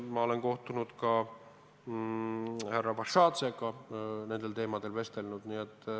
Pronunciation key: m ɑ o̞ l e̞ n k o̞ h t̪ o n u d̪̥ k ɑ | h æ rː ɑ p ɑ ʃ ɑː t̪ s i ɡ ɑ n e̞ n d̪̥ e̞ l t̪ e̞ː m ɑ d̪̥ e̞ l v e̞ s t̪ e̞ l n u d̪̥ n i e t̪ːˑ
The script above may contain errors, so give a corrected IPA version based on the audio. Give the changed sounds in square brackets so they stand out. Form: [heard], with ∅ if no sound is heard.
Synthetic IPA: m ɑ o̞ l e̞ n k o̞ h t̪ [u] n u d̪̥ k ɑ | h æ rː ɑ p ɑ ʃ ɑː t̪ s [e] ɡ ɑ n e̞ n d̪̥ e̞ l t̪ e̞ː m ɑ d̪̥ e̞ l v e̞ s t̪ e̞ l n u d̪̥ n i e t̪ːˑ